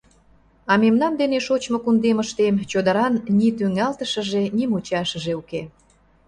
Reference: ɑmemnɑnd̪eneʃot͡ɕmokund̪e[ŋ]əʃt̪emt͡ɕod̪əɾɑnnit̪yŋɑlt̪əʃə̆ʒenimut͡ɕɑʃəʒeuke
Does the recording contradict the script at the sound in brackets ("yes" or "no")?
yes